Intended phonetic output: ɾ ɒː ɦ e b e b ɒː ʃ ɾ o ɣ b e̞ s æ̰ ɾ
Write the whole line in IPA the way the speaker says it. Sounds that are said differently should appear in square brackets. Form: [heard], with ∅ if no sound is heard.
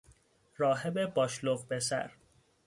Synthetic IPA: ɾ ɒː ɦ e b e b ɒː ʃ [l] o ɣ b e̞ s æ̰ ɾ